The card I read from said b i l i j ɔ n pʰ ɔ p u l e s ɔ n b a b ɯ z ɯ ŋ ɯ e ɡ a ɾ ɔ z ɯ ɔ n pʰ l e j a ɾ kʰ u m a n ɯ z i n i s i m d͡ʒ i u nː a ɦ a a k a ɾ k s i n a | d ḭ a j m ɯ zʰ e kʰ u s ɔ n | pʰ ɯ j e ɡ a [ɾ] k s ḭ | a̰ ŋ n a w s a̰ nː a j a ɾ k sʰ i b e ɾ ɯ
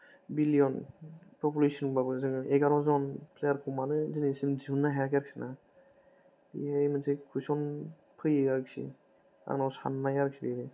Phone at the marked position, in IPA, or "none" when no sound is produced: ɾ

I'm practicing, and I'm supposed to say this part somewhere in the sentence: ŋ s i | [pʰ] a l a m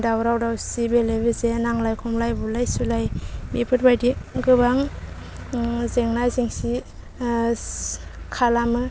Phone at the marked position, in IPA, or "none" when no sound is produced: kʰ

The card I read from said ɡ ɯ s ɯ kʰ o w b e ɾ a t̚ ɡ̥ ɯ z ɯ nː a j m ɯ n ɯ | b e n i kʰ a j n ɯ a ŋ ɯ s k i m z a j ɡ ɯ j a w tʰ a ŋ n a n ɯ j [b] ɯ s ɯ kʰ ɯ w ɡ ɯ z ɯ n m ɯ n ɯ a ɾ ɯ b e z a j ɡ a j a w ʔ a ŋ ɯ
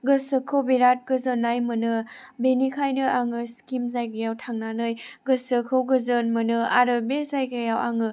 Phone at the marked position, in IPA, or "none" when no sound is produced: ɡ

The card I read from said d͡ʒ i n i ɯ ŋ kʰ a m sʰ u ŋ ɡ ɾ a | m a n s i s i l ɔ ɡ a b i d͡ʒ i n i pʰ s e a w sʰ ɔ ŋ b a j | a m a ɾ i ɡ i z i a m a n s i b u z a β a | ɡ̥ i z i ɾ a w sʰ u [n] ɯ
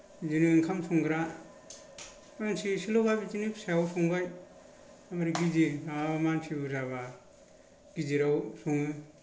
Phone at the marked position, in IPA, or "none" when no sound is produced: ŋ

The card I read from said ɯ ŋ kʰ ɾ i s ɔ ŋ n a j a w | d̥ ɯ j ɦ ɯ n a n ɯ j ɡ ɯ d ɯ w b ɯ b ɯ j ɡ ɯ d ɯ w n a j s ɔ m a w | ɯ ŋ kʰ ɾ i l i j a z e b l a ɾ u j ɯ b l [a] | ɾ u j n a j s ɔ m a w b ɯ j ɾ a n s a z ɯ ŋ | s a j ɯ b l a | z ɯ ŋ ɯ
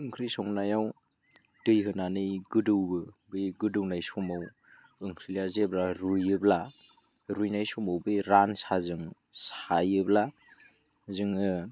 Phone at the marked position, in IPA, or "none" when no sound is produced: a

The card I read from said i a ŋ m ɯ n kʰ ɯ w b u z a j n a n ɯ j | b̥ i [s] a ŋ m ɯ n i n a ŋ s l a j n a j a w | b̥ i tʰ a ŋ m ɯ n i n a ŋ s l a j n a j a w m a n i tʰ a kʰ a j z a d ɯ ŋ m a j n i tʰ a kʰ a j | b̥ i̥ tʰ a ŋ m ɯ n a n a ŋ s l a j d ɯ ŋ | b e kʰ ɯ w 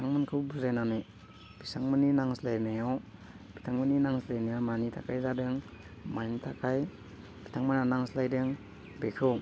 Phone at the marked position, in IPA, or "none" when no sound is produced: s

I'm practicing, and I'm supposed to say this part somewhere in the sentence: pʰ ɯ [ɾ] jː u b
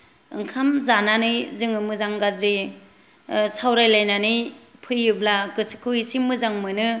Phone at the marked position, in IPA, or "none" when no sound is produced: none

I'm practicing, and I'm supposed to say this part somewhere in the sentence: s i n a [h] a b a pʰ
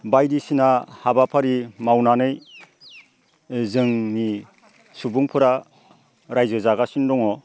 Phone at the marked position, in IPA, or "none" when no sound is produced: h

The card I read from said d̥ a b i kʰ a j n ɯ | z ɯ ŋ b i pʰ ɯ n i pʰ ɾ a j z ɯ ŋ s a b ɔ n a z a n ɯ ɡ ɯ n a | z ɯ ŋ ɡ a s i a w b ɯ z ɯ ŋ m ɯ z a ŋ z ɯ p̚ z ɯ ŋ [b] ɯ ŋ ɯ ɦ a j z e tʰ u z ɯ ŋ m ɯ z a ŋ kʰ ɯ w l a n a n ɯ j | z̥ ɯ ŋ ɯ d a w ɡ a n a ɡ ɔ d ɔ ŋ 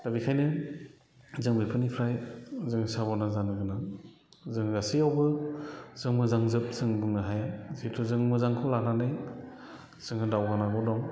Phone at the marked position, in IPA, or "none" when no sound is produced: b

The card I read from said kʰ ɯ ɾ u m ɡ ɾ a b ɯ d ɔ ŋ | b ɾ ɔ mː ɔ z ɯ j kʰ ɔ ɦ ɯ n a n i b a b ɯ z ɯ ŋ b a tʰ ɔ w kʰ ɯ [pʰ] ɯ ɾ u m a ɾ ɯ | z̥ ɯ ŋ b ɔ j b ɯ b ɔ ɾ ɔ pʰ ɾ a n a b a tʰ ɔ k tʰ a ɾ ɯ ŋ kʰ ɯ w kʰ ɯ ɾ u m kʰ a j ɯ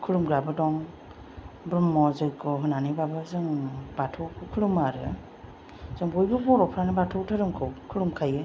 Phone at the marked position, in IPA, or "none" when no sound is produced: kʰ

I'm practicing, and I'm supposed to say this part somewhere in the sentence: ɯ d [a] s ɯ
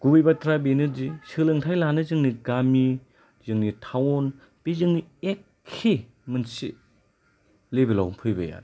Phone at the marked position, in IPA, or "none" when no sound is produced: i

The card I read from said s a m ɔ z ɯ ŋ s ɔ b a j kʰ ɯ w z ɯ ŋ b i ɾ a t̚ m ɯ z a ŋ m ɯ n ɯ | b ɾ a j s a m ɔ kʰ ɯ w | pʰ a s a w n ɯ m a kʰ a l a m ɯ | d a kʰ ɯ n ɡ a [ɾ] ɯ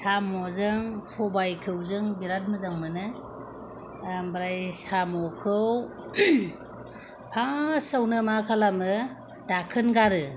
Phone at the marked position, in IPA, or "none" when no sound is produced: ɾ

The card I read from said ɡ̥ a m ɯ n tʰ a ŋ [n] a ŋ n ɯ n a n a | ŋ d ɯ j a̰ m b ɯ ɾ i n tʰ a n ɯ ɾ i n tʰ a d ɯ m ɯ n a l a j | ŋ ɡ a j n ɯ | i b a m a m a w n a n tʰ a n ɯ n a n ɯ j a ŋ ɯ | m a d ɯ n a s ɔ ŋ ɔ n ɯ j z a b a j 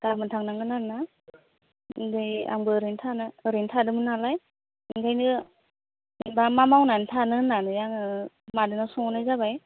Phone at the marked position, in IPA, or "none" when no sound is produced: n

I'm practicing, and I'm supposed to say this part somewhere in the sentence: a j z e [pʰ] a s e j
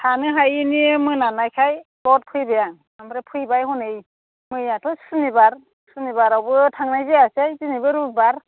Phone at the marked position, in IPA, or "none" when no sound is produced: none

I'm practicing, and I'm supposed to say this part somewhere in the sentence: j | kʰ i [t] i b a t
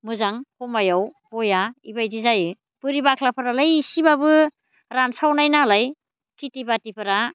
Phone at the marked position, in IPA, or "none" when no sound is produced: t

